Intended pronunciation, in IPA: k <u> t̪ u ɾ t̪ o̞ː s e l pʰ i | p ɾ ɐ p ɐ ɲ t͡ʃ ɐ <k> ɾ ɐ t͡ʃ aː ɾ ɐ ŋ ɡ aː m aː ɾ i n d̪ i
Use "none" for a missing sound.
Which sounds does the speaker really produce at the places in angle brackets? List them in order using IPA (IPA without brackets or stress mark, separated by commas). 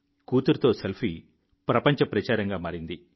uː, p